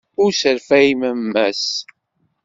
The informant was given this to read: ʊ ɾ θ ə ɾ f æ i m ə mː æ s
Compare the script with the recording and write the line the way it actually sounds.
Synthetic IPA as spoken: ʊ ɾ s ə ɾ f æ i m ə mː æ s